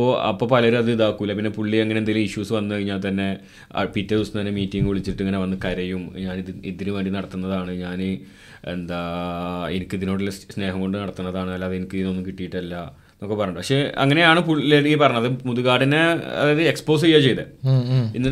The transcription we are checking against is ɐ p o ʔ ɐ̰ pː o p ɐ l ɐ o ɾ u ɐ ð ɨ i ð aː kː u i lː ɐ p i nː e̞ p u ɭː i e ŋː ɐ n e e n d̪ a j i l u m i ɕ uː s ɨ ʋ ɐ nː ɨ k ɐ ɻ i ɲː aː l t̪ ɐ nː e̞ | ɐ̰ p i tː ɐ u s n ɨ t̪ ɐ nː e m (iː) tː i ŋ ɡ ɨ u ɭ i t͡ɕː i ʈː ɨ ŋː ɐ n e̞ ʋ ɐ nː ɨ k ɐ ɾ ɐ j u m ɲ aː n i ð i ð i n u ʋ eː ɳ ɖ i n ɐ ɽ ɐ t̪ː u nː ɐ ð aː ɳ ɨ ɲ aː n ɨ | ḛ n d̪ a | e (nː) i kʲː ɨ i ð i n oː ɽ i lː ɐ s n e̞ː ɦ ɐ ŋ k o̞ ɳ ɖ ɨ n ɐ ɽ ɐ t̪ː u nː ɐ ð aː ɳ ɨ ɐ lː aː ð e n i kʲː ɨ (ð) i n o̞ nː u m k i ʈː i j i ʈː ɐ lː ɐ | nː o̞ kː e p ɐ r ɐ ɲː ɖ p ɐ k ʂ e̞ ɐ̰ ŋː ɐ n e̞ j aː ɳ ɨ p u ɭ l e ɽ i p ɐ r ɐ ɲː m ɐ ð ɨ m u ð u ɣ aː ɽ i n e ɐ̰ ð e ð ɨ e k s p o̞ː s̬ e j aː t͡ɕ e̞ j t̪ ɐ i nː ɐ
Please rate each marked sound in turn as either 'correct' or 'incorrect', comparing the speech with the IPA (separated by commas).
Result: correct, incorrect, correct